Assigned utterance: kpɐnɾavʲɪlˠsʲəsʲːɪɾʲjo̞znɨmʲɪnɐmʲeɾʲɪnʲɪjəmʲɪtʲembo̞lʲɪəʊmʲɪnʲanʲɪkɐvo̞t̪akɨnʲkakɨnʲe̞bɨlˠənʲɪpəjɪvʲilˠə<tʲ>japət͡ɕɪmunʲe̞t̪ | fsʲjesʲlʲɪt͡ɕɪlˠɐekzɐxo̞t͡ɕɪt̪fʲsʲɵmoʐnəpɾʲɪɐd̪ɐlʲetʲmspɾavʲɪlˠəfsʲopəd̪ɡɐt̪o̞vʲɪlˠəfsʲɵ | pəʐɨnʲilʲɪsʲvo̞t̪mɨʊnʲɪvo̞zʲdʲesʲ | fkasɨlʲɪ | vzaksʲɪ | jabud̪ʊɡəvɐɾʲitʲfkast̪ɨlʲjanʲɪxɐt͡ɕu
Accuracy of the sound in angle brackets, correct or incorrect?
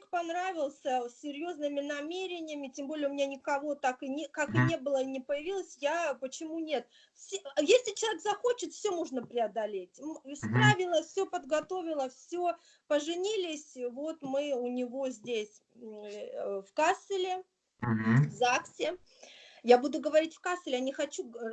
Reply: incorrect